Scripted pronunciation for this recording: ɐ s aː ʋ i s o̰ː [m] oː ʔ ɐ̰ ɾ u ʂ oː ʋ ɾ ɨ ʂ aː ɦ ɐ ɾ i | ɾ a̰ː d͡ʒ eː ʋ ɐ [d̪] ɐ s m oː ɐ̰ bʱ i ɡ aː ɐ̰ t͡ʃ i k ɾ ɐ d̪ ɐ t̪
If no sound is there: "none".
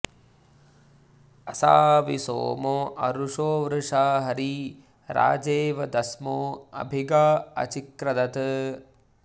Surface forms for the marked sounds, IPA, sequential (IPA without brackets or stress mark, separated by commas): m, d̪